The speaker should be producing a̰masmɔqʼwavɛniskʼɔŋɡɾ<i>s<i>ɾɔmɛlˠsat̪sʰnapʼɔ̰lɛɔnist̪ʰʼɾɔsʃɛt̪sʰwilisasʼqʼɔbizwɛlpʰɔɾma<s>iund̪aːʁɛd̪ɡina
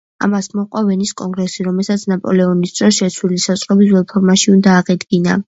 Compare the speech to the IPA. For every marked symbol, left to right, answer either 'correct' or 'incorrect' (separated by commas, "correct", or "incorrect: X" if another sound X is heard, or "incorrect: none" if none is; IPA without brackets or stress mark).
incorrect: ɛ, correct, incorrect: ʃ